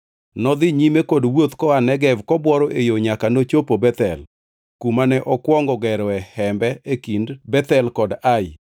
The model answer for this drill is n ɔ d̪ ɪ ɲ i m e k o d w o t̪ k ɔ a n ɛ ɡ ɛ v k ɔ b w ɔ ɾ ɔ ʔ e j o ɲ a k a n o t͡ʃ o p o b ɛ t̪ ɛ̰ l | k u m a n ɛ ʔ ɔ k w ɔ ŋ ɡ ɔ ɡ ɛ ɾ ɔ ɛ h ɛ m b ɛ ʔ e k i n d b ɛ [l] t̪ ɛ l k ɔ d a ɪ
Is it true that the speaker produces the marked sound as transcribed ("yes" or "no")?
no